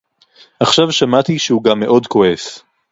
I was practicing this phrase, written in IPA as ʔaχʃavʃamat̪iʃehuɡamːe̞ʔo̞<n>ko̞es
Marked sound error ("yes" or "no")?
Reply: yes